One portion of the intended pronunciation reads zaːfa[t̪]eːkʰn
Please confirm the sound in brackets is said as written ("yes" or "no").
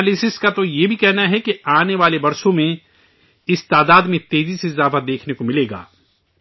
no